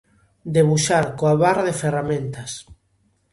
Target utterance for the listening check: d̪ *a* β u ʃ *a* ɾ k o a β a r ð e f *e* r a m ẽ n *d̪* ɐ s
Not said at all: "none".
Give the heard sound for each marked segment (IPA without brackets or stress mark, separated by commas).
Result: e, a, e, t̪